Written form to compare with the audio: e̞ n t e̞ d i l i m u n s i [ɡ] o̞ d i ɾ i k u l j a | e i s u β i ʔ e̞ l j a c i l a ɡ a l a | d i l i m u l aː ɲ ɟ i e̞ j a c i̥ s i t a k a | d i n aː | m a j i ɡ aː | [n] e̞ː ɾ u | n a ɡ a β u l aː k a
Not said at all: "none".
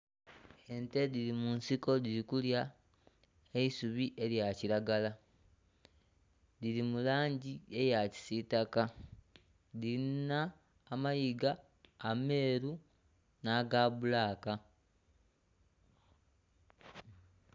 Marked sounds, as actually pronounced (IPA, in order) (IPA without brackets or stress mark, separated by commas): k, m